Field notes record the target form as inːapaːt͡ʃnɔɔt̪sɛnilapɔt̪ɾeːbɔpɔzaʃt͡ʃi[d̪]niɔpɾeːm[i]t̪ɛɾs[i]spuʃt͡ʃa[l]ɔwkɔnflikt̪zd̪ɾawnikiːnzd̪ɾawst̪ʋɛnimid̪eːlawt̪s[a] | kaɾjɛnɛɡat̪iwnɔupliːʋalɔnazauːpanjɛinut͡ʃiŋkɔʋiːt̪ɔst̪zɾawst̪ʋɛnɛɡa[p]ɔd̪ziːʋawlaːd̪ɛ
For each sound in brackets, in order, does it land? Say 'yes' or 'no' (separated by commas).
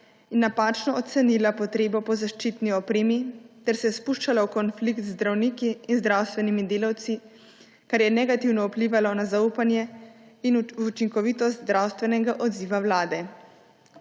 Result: no, yes, no, yes, no, no